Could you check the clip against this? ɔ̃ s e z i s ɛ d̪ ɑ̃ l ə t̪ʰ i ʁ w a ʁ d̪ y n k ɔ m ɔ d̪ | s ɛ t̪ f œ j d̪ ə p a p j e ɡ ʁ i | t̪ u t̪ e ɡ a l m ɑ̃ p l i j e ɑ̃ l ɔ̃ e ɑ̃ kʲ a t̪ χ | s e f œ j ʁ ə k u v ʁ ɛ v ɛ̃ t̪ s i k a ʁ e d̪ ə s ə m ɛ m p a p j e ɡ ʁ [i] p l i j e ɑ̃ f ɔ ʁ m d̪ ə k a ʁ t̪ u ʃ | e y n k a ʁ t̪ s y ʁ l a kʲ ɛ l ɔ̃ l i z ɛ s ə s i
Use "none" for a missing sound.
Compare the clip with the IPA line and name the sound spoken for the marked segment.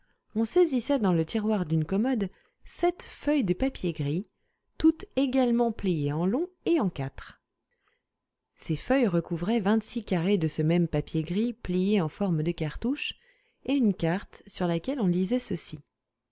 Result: i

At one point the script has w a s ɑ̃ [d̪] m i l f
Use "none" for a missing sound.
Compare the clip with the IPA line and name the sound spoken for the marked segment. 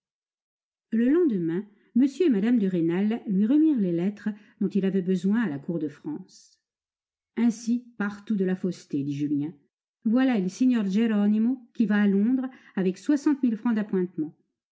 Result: t̪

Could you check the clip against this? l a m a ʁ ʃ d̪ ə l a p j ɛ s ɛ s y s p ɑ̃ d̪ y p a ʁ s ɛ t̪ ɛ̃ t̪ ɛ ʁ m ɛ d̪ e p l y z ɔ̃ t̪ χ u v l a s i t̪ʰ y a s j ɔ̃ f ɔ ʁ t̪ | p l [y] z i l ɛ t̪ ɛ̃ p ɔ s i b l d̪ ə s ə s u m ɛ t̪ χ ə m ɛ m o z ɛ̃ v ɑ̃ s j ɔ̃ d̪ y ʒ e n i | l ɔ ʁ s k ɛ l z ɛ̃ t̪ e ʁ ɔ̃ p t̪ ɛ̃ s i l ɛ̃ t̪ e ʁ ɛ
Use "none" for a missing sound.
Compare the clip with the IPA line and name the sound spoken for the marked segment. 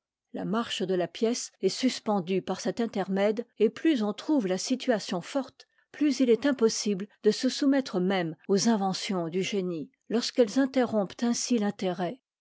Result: y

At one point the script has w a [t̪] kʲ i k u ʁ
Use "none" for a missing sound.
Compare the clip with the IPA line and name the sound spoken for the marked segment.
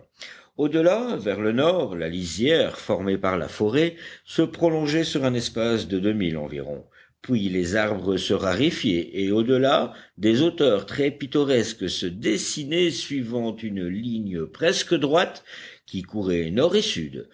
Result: t̪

